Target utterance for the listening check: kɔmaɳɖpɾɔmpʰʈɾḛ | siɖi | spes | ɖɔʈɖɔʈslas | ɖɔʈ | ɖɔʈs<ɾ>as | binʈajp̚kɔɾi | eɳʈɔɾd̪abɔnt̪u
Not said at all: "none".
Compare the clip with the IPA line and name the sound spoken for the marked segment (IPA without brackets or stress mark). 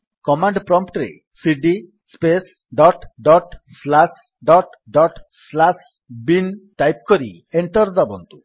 l